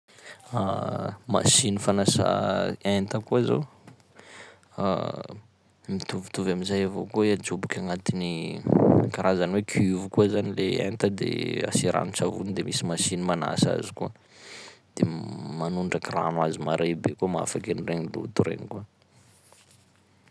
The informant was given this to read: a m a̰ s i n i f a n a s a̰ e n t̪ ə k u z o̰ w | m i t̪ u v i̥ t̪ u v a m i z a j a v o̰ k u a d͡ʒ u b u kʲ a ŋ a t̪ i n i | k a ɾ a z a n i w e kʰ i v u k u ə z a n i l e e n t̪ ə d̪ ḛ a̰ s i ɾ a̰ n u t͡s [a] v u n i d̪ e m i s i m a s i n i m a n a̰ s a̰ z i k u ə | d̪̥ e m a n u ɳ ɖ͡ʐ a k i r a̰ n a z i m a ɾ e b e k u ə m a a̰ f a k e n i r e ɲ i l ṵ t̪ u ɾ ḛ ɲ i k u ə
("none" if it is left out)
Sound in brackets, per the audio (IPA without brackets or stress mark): a